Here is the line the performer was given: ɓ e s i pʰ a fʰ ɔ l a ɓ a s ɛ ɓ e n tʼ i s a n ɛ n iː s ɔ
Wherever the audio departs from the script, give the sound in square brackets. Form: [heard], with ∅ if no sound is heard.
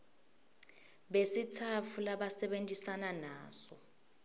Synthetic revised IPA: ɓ e s i [tʰ] a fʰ [u] l a ɓ a s ɛ ɓ e n tʼ i s a n [a] n [aː] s ɔ